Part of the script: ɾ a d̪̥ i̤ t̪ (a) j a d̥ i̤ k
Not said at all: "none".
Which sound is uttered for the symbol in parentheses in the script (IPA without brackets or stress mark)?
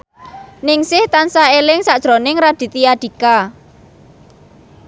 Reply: i